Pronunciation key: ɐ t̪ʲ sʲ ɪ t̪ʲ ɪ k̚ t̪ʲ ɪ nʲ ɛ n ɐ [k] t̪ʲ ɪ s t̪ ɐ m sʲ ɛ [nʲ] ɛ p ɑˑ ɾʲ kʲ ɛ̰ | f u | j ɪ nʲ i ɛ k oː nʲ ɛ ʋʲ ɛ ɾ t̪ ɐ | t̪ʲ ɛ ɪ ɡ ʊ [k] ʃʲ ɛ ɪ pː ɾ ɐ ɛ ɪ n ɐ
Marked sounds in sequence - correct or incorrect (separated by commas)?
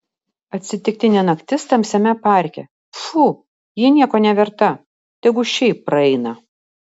correct, incorrect, incorrect